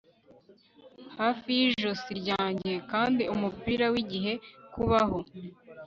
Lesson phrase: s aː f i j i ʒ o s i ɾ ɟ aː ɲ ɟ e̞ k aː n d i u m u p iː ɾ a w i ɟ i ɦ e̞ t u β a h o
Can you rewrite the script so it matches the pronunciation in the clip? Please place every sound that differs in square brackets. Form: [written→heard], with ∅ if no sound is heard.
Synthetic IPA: [s→h] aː f i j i ʒ o s i ɾ ɟ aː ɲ ɟ e̞ k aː n d i u m u p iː ɾ a w i ɟ i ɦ e̞ [t→k] u β a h o